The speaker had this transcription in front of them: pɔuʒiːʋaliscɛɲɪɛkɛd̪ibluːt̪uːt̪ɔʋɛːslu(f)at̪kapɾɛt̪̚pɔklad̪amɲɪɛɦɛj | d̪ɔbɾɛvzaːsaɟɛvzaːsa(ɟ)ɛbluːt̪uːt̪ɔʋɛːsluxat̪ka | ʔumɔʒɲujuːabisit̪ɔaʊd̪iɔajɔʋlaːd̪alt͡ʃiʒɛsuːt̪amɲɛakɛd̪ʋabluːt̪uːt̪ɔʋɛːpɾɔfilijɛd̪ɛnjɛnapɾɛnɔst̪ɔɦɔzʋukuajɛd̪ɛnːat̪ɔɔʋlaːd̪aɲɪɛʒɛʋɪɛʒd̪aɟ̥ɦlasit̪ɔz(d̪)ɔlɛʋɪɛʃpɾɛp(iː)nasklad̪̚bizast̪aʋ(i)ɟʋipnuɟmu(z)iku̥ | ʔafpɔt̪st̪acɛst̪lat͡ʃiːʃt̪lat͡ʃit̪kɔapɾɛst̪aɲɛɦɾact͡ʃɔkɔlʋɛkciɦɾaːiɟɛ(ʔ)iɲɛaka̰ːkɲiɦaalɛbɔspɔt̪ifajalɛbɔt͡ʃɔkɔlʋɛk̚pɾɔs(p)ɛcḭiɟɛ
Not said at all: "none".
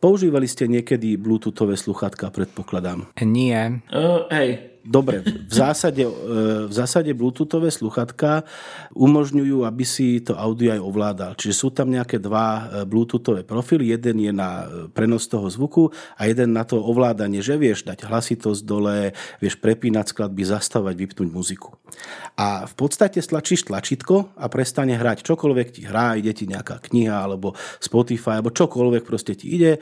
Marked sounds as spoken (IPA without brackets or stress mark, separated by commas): x, ɟ, d̪, iː, a, z, c, c